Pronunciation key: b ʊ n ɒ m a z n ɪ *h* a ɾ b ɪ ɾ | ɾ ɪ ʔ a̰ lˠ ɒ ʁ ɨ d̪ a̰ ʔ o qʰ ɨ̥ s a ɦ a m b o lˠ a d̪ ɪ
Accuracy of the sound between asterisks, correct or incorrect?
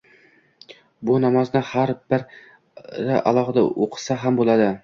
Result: correct